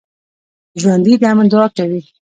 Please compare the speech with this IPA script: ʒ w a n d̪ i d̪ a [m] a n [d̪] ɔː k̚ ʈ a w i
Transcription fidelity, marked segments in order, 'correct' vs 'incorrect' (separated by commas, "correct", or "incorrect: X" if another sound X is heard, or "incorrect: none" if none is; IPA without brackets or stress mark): correct, correct